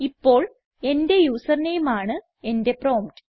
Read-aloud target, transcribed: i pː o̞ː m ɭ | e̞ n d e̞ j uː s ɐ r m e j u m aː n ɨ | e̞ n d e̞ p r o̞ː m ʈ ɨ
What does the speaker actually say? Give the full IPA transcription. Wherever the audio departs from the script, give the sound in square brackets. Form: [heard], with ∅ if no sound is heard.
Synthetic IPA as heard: i pː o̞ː [∅] ɭ | e̞ n d e̞ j uː s ɐ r [n] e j u m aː [ɳ] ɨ | e̞ n d e̞ p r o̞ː m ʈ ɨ

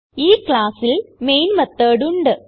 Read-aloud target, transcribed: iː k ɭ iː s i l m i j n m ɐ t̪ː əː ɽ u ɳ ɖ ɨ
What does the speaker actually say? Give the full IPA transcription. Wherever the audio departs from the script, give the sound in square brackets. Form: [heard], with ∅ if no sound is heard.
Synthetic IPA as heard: iː k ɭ [aː] s i l m [e] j n m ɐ t̪ː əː ɽ u ɳ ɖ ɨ

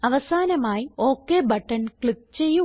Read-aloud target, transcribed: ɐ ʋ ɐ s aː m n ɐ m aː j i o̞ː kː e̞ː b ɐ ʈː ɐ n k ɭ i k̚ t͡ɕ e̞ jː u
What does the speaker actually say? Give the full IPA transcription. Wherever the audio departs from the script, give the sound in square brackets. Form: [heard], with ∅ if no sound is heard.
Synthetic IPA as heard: ɐ ʋ ɐ s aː [∅] n ɐ m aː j i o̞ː kː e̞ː b ɐ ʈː ɐ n k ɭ i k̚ t͡ɕ e̞ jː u

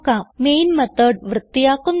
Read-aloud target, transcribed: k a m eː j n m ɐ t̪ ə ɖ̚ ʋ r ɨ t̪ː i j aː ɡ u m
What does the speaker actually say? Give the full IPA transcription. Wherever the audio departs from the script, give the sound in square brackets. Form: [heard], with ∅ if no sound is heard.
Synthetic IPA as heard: k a m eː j n m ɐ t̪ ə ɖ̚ ʋ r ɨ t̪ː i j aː [k] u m

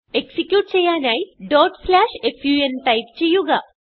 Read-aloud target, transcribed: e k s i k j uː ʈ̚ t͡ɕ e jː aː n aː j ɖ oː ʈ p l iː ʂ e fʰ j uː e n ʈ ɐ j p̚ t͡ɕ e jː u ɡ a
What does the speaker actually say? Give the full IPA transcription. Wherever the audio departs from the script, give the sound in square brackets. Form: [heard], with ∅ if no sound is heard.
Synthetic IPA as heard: e k s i k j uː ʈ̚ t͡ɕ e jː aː n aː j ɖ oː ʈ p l [aː] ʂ e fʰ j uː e n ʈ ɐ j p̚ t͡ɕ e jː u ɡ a

